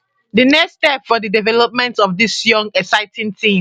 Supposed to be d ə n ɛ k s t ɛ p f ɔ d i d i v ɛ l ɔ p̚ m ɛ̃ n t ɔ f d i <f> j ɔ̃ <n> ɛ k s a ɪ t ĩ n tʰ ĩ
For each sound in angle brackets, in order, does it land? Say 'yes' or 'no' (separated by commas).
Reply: no, no